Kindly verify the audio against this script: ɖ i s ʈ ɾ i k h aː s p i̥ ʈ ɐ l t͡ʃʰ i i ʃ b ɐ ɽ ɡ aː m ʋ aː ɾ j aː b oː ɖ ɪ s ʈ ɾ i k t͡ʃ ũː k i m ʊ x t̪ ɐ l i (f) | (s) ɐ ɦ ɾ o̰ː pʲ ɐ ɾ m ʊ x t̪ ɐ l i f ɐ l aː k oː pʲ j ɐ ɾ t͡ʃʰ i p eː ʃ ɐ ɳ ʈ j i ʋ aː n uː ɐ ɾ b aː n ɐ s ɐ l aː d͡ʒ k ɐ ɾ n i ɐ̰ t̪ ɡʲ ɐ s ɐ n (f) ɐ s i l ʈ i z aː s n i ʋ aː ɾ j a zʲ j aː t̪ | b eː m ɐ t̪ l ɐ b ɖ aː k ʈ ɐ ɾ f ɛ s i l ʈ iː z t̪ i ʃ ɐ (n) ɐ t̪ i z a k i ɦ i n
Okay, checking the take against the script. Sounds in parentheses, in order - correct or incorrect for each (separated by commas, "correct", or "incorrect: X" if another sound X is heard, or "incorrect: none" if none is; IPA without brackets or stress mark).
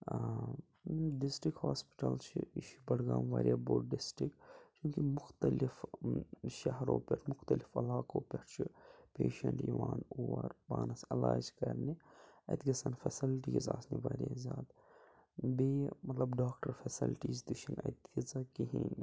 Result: correct, incorrect: ʃ, correct, correct